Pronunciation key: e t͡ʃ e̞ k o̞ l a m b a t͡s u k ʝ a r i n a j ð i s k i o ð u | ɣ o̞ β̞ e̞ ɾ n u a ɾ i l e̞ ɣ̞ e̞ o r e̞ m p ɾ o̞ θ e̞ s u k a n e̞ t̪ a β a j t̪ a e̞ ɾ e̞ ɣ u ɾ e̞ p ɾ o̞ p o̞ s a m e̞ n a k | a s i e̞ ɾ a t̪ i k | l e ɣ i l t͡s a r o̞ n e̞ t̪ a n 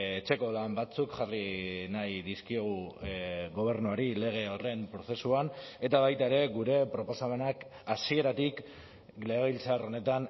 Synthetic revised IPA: e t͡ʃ e̞ k o̞ l a m b a t͡s u k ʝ a r i n a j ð i s k i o ɣ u | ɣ o̞ β̞ e̞ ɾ n u a ɾ i l e̞ ɣ̞ e̞ o r e̞ m p ɾ o̞ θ e̞ s u a n e̞ t̪ a β a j t̪ a e̞ ɾ e̞ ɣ u ɾ e̞ p ɾ o̞ p o̞ s a m e̞ n a k | a s i e̞ ɾ a t̪ i k | l e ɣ i l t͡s a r o̞ n e̞ t̪ a n